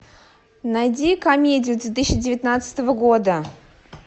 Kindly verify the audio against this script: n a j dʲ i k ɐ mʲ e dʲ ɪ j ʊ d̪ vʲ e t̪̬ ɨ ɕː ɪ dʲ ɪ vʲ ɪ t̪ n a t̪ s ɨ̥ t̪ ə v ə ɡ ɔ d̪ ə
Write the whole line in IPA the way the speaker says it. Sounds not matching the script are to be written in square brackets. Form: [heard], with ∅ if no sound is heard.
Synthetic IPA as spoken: n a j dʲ i k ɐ mʲ e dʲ ɪ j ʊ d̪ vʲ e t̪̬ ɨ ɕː ɪ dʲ ɪ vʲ ɪ t̪ n a t̪ s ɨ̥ t̪ ə v ə ɡ [o] d̪ ə